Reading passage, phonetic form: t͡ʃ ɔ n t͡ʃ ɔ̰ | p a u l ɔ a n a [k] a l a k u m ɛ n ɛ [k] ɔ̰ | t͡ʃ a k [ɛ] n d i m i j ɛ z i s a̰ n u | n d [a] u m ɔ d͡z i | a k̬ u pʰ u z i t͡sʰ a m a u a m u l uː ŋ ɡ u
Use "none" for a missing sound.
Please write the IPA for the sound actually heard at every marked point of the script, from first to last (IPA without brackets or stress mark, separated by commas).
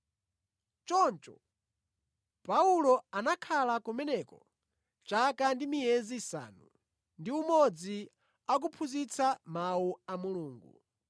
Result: kʰ, k, a, i